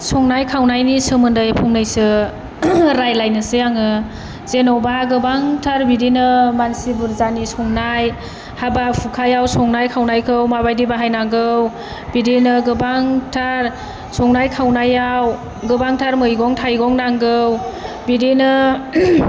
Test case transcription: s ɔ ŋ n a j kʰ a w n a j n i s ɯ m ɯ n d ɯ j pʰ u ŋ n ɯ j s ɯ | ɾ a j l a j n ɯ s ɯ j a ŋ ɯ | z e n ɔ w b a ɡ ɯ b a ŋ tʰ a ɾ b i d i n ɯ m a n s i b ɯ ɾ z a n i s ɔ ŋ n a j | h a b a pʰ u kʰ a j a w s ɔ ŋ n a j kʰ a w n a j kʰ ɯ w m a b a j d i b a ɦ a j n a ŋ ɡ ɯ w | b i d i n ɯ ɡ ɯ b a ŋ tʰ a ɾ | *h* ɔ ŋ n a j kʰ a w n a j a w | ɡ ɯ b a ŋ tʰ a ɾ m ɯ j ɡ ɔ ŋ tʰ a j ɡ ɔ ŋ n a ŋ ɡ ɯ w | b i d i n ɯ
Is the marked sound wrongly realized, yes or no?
yes